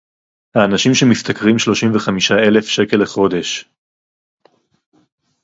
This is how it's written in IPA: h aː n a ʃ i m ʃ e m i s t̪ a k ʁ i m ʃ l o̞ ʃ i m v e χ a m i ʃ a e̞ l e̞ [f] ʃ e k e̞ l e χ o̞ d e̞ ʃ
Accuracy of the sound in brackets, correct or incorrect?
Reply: correct